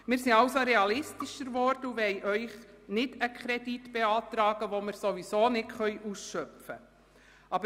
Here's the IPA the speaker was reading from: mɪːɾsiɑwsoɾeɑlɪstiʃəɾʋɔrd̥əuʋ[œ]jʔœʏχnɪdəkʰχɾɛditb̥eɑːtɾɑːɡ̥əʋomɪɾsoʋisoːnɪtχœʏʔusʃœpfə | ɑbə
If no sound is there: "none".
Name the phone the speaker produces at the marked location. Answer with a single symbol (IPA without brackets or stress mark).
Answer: ɛ